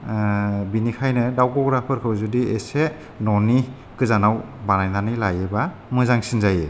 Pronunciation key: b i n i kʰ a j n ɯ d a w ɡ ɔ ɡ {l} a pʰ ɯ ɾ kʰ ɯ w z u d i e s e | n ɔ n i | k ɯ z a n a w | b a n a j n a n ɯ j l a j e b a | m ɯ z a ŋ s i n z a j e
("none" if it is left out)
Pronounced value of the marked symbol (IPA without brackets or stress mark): ɾ